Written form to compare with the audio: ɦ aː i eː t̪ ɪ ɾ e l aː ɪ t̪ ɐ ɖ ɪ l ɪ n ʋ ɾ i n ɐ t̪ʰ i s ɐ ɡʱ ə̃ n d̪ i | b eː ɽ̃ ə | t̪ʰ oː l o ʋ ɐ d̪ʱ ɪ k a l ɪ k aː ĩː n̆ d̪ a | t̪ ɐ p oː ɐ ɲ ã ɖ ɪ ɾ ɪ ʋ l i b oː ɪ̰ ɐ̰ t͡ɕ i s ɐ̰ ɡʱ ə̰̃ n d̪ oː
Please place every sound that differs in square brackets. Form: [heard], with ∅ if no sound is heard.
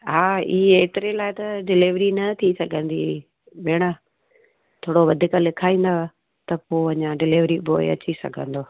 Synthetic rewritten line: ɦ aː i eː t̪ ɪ ɾ e l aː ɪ t̪ ɐ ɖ ɪ l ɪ [∅] ʋ ɾ i n ɐ t̪ʰ i s ɐ ɡʱ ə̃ n d̪ i | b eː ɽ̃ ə | t̪ʰ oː [ɽ] o ʋ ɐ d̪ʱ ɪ k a l ɪ [kʰ] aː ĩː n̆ d̪ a | t̪ ɐ p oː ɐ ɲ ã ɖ ɪ [l] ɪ ʋ [ɾ] i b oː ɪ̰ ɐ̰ t͡ɕ i s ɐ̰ ɡʱ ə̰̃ n d̪ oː